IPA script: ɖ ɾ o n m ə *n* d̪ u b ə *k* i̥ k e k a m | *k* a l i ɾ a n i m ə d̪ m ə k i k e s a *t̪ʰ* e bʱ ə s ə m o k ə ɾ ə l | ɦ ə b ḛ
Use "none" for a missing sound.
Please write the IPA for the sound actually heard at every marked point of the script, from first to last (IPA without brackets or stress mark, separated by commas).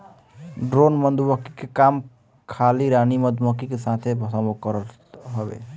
n, k, kʰ, t̪ʰ